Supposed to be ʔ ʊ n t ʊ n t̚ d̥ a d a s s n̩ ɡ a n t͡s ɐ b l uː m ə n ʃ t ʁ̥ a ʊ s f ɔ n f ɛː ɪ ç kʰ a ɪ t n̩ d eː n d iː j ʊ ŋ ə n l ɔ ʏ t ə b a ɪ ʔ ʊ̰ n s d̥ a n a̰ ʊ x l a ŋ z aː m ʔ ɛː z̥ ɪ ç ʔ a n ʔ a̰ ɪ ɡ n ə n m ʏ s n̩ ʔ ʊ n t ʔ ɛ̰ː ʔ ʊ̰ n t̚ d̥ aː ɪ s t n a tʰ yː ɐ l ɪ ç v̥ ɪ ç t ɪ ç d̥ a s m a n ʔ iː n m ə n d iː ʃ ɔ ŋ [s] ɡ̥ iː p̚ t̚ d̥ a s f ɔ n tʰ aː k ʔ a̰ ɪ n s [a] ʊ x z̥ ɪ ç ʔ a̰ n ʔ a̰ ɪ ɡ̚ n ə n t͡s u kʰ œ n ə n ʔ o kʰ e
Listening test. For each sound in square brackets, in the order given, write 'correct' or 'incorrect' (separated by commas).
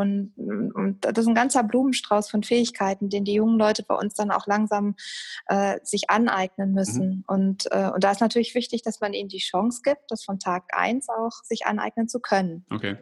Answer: correct, correct